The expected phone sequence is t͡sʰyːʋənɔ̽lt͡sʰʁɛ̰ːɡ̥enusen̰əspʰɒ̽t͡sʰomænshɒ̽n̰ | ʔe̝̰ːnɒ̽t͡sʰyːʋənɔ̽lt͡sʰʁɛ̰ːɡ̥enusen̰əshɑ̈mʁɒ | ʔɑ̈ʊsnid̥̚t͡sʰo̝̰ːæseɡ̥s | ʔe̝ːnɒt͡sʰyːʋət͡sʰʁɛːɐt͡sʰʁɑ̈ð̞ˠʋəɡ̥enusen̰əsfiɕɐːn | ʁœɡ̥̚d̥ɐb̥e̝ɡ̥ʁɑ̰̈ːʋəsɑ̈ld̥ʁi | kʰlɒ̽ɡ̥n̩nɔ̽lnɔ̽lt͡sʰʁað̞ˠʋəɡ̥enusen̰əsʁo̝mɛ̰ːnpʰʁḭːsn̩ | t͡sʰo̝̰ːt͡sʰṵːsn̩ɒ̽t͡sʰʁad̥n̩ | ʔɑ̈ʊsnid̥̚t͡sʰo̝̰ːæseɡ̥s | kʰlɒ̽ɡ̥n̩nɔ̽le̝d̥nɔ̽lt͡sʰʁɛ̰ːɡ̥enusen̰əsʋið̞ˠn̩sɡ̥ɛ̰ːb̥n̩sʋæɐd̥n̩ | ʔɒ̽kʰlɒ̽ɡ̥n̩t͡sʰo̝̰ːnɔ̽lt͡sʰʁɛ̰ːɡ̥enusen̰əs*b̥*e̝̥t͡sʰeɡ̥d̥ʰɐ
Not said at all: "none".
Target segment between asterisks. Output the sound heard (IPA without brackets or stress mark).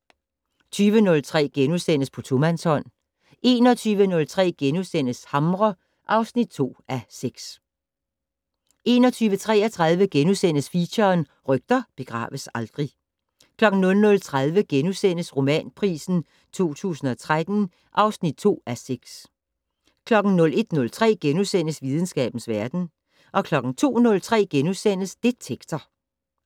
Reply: d̥